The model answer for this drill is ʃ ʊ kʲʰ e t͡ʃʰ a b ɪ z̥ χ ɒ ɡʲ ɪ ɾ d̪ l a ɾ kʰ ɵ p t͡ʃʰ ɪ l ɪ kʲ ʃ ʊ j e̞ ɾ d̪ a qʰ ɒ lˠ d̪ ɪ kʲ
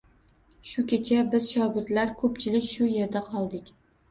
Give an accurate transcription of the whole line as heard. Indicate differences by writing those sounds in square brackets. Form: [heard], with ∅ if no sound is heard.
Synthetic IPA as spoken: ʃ ʊ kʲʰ e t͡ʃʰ a b ɪ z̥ [ʃ] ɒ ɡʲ ɪ ɾ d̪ l a ɾ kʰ ɵ p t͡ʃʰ ɪ l ɪ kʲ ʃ ʊ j e̞ ɾ d̪ a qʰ ɒ lˠ d̪ ɪ kʲ